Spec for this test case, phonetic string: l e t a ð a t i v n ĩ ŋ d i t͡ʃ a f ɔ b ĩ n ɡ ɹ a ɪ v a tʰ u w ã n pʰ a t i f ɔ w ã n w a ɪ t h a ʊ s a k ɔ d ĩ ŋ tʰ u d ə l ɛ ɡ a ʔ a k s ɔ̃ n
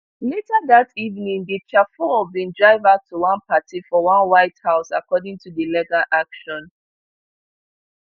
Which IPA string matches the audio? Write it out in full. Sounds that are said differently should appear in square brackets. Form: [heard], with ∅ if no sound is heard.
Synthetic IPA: l e t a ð a t i v n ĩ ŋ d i t͡ʃ a f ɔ b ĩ n [d] ɹ a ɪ v a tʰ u w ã n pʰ a t i f ɔ w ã n w a ɪ t h a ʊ s a k ɔ d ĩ ŋ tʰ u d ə l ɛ ɡ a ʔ a k [ʃ] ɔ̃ n